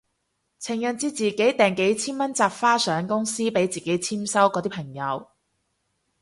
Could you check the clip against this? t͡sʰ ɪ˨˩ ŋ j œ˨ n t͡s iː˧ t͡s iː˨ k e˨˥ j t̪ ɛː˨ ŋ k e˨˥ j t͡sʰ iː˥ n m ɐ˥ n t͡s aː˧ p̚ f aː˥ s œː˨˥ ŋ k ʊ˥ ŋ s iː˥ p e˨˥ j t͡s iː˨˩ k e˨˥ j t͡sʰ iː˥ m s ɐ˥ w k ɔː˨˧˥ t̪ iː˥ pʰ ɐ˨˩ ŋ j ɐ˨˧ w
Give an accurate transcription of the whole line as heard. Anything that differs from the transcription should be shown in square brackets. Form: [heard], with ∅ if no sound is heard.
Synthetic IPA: t͡sʰ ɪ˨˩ ŋ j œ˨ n t͡s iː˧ t͡s iː˨ k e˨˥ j t̪ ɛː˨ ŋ k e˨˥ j t͡sʰ iː˥ n m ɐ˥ n t͡s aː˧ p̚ f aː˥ s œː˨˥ ŋ k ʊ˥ ŋ s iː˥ p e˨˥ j t͡s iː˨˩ k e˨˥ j t͡sʰ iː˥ m s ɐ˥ w k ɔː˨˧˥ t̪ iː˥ pʰ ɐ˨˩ ŋ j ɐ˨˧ w